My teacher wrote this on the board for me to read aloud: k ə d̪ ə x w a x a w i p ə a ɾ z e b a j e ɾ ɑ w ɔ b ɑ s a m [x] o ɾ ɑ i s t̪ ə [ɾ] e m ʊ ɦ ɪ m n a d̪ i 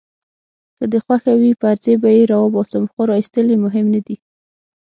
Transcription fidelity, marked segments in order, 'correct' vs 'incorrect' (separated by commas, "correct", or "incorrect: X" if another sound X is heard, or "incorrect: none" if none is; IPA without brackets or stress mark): correct, incorrect: l